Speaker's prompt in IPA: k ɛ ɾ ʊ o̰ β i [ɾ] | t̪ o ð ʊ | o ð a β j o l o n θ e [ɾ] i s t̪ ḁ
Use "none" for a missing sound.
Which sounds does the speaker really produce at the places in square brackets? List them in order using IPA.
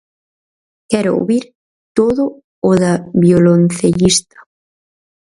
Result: ɾ, ʎ

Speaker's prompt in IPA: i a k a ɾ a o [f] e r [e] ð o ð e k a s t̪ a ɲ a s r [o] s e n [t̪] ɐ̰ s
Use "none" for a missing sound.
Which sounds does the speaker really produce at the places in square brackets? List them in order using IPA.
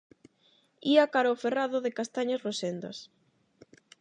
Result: f, a, o, d̪

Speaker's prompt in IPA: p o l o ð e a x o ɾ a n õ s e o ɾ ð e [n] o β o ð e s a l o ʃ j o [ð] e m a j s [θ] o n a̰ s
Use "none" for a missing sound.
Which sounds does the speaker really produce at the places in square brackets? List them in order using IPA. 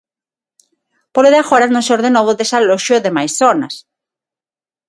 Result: n, ð, θ

